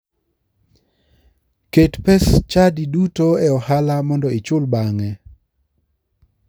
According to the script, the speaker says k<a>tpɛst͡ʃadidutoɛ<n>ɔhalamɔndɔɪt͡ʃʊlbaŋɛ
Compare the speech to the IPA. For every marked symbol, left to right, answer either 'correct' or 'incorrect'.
incorrect, incorrect

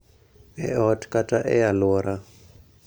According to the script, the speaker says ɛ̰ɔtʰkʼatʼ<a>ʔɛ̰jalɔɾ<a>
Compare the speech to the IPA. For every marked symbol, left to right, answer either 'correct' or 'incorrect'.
correct, correct

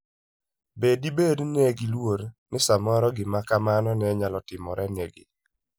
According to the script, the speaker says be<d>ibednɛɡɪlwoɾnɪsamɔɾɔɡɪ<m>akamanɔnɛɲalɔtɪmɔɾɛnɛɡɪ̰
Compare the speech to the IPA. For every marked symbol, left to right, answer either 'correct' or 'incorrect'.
correct, correct

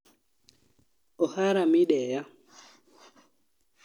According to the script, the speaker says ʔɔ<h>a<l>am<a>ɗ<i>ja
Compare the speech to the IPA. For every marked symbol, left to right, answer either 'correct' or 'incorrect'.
correct, incorrect, incorrect, incorrect

